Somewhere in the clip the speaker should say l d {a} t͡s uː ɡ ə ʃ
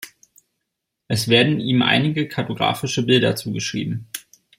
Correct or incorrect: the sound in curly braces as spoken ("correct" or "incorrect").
incorrect